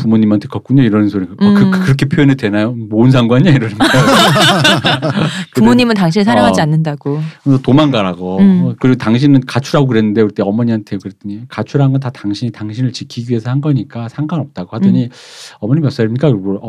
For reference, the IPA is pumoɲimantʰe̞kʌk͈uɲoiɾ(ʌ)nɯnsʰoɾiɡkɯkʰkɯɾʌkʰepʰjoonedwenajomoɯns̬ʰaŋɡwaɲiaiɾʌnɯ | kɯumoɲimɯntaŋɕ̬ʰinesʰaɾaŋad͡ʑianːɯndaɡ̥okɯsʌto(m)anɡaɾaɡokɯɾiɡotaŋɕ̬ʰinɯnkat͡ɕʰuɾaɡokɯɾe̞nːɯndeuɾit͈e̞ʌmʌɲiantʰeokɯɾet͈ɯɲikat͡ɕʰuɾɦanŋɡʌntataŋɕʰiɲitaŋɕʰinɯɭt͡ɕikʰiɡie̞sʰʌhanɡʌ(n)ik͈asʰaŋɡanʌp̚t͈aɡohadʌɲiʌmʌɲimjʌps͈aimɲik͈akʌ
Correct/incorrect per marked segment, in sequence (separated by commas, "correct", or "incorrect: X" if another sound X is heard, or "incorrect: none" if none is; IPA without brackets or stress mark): correct, correct, incorrect: ɲ